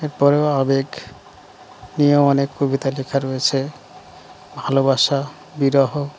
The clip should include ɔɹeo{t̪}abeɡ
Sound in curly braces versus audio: incorrect: none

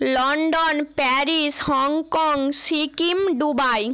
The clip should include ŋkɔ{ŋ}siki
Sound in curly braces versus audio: correct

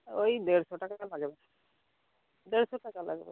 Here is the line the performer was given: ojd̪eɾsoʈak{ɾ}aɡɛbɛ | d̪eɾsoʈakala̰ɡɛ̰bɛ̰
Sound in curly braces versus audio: incorrect: l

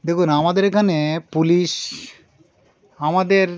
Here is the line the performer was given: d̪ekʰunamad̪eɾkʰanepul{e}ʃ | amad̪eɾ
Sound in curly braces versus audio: incorrect: i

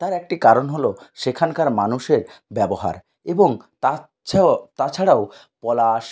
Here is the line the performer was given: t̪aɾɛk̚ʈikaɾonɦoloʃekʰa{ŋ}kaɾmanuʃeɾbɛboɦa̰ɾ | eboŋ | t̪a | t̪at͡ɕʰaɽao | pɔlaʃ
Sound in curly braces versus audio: incorrect: n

